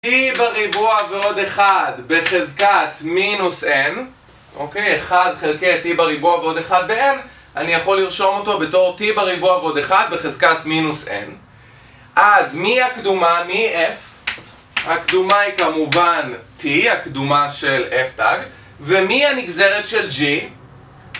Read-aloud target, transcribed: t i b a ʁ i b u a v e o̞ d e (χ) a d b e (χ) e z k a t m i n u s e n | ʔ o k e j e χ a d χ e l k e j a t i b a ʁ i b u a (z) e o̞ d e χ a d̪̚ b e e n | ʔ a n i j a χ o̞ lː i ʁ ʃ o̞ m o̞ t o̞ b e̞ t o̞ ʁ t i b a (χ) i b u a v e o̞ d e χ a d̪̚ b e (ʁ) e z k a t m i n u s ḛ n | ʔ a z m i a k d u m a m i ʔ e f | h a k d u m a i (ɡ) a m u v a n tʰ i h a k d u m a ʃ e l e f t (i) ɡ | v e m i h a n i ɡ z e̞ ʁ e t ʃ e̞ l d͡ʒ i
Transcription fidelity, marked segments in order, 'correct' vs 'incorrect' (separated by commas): correct, correct, incorrect, incorrect, incorrect, incorrect, incorrect